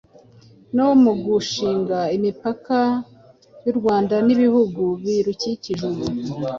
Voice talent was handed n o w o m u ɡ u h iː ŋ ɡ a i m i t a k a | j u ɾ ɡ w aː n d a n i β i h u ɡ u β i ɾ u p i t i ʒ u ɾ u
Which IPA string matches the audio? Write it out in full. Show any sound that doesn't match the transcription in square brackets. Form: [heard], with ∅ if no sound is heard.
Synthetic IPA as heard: n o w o m u ɡ u [ʃ] iː ŋ ɡ a i m i [p] a k a | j u ɾ ɡ w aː n d a n i β i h u ɡ u β i ɾ u [c] i [c] i ʒ u ɾ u